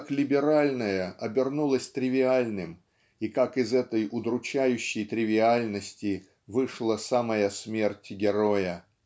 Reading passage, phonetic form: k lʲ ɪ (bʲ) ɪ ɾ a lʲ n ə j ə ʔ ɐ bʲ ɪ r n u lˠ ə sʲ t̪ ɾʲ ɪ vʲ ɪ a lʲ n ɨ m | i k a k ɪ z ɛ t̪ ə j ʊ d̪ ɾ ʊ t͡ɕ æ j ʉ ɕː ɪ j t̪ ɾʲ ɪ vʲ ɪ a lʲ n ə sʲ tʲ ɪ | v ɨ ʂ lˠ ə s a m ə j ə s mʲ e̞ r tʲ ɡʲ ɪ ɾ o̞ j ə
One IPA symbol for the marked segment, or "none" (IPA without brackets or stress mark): bʲ